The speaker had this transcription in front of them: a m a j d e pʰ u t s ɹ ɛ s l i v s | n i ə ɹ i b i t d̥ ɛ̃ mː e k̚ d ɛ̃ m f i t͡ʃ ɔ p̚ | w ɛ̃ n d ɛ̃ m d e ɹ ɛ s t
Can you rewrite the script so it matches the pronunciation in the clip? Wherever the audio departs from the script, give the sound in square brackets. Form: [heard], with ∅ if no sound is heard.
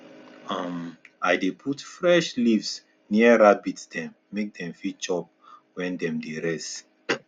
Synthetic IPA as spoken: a m a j d e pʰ u t [f] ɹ ɛ [ʃ] l i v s | n i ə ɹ [a] b i t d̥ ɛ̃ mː e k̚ d ɛ̃ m f i t͡ʃ ɔ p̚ | w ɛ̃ n d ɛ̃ m d e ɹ ɛ s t

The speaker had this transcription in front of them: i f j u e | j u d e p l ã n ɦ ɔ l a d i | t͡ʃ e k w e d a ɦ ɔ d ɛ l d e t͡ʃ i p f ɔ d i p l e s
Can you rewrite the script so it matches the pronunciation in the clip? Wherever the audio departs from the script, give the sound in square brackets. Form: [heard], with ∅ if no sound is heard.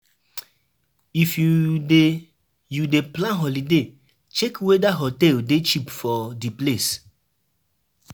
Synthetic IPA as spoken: i f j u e | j u d e p l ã n ɦ ɔ l [i] d [e] | t͡ʃ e k w e d a ɦ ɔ [t] ɛ l d e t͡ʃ i p f ɔ d i p l e s

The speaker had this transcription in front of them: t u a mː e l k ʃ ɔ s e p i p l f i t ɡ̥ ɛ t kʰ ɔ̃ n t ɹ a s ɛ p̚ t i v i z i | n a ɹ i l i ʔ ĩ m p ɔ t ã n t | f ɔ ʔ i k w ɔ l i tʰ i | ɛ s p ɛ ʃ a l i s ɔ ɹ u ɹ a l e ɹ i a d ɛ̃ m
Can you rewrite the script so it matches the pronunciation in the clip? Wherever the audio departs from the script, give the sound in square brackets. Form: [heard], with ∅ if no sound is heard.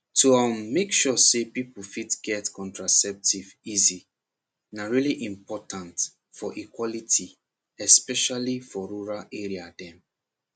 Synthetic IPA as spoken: t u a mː e [∅] k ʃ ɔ s e p i p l f i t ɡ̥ ɛ t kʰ ɔ̃ n t ɹ a s ɛ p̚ t i v i z i | n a ɹ i l i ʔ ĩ m p ɔ t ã n t | f ɔ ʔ i k w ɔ l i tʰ i | ɛ s p ɛ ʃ a l i [f] ɔ ɹ u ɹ a l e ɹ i a d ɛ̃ m

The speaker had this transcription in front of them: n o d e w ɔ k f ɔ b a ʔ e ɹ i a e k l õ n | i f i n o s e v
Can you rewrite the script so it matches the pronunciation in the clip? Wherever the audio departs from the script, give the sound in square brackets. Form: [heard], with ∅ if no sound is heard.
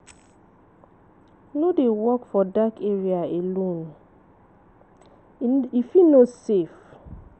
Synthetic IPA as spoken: n o d e w ɔ k f ɔ [d] a [k] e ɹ i a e [∅] l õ n | i f i n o s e [f]

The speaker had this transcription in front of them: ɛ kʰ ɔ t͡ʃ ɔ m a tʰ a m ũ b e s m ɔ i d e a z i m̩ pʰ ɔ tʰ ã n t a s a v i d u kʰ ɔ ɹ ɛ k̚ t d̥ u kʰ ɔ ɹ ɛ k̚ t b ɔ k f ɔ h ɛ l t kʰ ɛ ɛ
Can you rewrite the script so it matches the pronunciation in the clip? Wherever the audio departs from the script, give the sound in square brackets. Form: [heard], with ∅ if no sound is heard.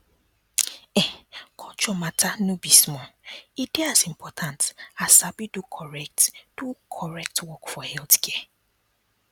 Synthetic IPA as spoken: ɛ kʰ ɔ t͡ʃ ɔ m a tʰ a [n] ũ b [i] s m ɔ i d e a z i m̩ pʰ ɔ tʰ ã n t a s a [b] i d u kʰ ɔ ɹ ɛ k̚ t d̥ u kʰ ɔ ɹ ɛ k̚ t [w] ɔ k f ɔ h ɛ l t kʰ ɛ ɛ

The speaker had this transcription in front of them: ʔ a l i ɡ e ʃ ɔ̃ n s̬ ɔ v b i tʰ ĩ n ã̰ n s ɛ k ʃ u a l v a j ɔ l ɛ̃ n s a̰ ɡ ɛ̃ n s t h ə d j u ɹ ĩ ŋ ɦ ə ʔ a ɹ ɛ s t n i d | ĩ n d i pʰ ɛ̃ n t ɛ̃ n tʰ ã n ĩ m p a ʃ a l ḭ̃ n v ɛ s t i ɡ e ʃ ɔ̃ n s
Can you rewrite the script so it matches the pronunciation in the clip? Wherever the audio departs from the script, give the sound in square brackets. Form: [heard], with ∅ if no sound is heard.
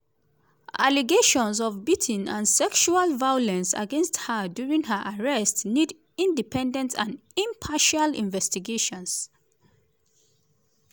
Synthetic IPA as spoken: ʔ a l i ɡ e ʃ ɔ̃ n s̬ ɔ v b i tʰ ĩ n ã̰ n s ɛ k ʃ u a l v a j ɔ l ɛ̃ n s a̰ ɡ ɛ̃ n s t h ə d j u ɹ ĩ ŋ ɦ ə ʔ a ɹ ɛ s t n i d | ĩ n d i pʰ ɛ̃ n [d] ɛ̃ n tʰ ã n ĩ m [pʰ] a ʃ a l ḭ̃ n v ɛ s t i ɡ e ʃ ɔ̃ n s

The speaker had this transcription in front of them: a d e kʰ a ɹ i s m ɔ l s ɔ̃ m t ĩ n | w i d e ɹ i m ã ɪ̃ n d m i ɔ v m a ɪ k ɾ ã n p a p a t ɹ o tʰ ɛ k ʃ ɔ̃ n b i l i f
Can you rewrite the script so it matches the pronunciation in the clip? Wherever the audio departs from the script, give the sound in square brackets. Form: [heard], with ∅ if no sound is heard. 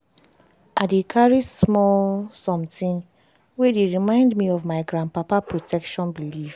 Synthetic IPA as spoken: a d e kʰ a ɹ i s m ɔ l s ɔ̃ m t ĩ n | w [e] d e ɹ i m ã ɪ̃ n d m i ɔ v m a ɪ [ɡ] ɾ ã n p a p a [p] ɹ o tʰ ɛ k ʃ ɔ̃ n b i l i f

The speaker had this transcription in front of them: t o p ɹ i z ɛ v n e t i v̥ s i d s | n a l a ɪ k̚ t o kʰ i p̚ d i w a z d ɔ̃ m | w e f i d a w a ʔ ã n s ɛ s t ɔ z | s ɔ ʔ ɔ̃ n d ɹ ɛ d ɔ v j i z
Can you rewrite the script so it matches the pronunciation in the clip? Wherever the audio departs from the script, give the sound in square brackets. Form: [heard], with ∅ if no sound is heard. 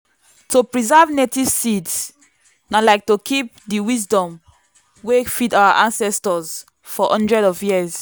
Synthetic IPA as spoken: t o p ɹ i z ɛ v n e t i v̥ s i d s | n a l a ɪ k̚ t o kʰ i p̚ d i w [i] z d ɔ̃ m | w e f i d a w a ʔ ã n s ɛ s t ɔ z | [f] ɔ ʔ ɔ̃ n d ɹ ɛ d ɔ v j i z

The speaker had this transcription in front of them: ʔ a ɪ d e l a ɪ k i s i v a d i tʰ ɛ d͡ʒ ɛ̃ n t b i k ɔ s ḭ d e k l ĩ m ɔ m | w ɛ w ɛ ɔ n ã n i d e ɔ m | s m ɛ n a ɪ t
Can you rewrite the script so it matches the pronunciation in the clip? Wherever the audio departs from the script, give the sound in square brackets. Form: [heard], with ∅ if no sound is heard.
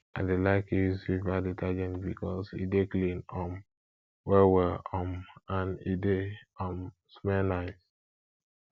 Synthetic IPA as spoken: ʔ a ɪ d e l a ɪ k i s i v a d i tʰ [a] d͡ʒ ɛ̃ n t b i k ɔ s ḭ d e k l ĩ [n] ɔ m | w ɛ w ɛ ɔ [m] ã n i d e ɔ m | s m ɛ n a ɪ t

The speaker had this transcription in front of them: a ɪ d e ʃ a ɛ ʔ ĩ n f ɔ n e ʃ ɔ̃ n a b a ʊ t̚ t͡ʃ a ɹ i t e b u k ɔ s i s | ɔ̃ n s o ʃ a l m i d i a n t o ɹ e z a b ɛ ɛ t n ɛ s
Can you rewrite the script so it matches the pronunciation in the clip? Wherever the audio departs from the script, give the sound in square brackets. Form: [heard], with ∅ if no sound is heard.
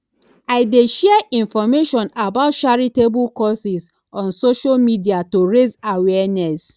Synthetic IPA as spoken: a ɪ d e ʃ [ɛ] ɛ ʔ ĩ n f ɔ [m] e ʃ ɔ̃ n a b a ʊ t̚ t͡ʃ a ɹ i t e b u k ɔ s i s | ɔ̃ n s o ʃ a l m i d i a [∅] t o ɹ e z a [w] ɛ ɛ [∅] n ɛ s

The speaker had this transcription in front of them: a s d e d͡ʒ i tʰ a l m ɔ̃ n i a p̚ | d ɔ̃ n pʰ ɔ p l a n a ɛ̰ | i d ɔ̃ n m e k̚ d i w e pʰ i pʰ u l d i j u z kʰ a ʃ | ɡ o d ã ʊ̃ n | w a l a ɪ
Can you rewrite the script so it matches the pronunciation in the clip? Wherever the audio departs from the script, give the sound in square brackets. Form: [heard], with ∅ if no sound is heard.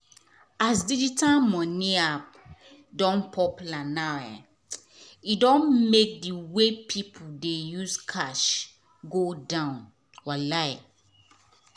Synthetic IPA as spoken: a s d [i] d͡ʒ i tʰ a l m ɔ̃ n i a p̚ | d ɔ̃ n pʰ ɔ p l a n a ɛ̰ | i d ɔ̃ n m e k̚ d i w e pʰ i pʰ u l d [e] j u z kʰ a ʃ | ɡ o d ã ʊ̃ n | w a l a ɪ

